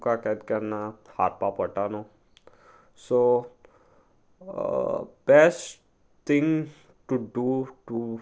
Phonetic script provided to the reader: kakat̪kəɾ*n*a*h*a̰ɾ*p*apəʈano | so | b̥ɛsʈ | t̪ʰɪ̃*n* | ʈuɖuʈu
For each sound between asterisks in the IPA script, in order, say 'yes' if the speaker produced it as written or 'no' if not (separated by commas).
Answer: yes, yes, yes, no